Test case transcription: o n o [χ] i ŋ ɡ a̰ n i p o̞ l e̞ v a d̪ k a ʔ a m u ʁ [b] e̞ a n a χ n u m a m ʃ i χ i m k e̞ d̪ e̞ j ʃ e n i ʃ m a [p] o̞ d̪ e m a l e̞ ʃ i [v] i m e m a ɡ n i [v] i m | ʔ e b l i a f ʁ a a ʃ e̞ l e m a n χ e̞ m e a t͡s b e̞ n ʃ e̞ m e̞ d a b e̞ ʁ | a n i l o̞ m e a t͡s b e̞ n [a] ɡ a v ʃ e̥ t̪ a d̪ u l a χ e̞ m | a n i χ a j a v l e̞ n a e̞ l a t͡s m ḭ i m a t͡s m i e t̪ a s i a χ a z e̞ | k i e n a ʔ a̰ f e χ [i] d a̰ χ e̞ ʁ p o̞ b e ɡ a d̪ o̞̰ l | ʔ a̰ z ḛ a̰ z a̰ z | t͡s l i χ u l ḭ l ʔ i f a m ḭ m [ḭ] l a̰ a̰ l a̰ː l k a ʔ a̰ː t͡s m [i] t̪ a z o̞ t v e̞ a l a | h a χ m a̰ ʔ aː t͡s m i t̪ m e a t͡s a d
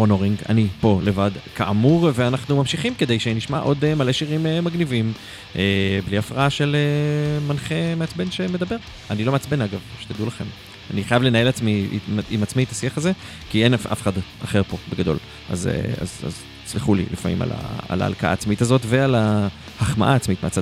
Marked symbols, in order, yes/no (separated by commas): no, no, no, no, yes, yes, no, no, yes